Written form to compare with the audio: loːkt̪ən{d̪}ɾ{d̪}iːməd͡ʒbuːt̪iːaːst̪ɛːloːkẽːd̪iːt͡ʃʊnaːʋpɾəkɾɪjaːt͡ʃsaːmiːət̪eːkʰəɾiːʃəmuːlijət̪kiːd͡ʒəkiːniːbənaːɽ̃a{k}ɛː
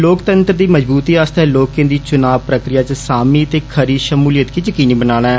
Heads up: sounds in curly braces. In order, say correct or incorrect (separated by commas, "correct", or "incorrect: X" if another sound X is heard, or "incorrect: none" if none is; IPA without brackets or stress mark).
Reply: incorrect: t̪, correct, incorrect: none